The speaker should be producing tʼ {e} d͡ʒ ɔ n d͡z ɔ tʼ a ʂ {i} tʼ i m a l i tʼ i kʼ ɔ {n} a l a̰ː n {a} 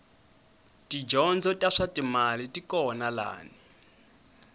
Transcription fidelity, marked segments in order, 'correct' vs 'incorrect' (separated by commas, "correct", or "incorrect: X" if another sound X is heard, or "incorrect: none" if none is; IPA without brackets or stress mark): incorrect: i, incorrect: a, correct, incorrect: i